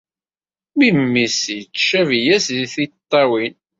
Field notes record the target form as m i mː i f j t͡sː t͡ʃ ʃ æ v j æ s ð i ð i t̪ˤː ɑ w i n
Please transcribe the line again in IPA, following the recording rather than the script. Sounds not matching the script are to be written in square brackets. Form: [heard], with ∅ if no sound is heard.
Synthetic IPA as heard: m i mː i [s] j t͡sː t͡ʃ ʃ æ v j æ s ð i [θ] i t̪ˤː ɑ w i n

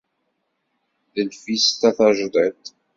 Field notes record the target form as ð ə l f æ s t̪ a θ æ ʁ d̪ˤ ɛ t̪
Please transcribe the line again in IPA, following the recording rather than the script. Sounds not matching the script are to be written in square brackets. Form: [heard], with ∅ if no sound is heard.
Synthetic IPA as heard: ð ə l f [i] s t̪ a θ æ [ʒ] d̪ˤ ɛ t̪

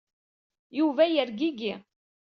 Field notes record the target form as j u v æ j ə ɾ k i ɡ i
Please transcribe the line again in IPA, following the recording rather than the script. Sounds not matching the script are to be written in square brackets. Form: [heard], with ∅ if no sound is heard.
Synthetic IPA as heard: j u v æ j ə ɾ [ɡ] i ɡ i

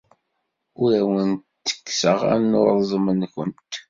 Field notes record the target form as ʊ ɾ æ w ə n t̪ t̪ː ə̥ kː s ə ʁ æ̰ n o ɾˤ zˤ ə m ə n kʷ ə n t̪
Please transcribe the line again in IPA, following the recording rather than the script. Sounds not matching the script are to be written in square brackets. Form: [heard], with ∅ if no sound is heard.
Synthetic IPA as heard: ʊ ɾ æ w ə n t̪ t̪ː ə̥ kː s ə ʁ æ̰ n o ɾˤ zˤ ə m ə n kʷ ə n t̪

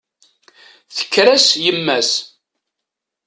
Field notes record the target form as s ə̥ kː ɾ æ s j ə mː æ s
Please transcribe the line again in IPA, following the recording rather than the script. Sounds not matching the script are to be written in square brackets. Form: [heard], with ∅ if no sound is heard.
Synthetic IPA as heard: [θ] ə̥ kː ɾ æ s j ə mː æ s

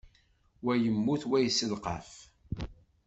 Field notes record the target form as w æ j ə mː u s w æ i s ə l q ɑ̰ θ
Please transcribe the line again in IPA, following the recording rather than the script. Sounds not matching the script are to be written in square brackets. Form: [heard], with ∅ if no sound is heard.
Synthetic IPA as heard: w æ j ə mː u [θ] w æ [j] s ə l q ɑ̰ [f]

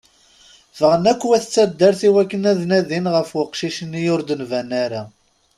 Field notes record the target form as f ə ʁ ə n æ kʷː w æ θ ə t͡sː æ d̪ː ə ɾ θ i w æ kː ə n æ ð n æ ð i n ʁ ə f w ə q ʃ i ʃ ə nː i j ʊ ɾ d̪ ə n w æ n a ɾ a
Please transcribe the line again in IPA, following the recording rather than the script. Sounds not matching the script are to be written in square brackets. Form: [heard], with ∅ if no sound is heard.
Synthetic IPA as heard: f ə ʁ ə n æ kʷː w æ θ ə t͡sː æ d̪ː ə ɾ θ i w æ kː ə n æ ð n æ ð i n ʁ ə f w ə q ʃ i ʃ ə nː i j ʊ ɾ d̪ ə n [v] æ n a ɾ a

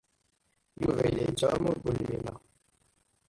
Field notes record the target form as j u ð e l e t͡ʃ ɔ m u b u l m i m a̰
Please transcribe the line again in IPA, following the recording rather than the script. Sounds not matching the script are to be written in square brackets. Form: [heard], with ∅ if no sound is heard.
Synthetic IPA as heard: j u [v] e l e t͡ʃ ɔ m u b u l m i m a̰

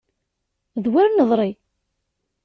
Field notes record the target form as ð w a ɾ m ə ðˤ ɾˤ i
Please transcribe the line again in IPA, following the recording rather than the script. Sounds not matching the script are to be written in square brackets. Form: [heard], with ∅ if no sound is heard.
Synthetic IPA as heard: ð w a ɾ [n] ə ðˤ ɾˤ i

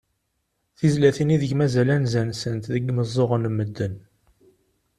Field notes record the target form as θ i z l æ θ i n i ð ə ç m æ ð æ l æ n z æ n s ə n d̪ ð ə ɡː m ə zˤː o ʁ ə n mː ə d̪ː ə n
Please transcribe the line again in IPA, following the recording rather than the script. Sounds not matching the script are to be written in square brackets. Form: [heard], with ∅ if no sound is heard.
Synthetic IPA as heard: θ i z l æ θ i n i ð ə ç m æ [z] æ l æ n z æ n s ə n [t̪] ð ə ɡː m ə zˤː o ʁ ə n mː ə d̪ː ə n

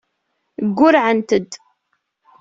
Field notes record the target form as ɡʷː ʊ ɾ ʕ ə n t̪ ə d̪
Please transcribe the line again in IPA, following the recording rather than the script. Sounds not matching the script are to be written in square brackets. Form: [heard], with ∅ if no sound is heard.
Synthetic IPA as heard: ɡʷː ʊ ɾ ʕ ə n t̪ ə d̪

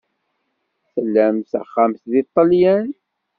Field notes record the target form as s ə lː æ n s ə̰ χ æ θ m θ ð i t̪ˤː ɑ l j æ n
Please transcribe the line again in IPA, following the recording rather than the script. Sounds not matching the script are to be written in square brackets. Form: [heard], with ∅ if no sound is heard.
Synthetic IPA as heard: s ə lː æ [m] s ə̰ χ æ [∅] m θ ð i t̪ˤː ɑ l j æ n

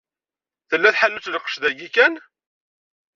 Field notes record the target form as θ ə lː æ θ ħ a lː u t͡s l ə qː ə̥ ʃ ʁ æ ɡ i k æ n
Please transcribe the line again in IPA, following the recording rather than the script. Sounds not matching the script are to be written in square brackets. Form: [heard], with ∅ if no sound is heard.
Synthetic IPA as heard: θ ə lː æ θ ħ a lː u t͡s l ə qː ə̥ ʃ [ð] æ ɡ i k æ n

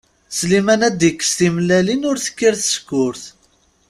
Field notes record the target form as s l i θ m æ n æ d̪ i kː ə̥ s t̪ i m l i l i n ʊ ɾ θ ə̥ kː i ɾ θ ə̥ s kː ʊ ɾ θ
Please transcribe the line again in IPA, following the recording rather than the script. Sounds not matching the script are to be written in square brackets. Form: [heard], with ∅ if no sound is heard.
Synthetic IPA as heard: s l i [∅] m æ n æ d̪ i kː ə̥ s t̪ i m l [æ] l i n ʊ ɾ θ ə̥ kː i ɾ θ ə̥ s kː ʊ ɾ θ

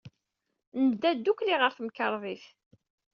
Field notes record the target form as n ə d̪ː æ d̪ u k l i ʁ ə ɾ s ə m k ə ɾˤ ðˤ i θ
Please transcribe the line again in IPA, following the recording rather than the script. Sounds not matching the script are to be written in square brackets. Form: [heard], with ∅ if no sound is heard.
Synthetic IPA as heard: n ə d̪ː æ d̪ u k l i ʁ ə ɾ [θ] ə m k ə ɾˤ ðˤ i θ

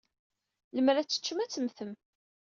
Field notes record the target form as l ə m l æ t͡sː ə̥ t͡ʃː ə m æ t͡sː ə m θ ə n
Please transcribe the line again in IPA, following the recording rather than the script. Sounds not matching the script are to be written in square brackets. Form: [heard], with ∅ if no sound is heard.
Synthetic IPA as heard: l ə m [ɾ] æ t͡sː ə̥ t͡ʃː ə m æ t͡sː ə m θ ə [m]

